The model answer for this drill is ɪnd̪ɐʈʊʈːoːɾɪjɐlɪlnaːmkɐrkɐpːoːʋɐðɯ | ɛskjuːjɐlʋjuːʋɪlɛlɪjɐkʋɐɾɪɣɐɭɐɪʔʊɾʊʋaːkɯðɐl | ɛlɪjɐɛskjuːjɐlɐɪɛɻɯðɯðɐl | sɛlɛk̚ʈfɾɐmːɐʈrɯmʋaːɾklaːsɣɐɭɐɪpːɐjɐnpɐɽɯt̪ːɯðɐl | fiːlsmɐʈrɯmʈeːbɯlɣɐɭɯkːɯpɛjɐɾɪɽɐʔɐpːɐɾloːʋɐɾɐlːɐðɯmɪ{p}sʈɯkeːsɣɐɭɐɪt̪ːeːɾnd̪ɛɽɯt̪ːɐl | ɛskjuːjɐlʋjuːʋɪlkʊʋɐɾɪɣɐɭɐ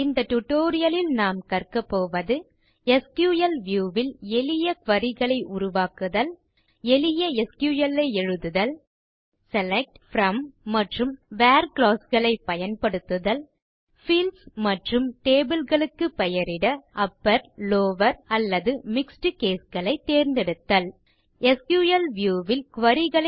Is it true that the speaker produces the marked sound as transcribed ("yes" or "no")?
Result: no